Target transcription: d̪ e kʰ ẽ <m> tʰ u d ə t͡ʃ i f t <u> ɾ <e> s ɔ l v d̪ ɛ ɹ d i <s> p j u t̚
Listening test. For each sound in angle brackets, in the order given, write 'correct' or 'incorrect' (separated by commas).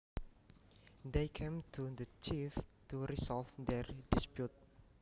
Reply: correct, correct, incorrect, correct